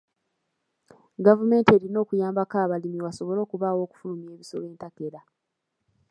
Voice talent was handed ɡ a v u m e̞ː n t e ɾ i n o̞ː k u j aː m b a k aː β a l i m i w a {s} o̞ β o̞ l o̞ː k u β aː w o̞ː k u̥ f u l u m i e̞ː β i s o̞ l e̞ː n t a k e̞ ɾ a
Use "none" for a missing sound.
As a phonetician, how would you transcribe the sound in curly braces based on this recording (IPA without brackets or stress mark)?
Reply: s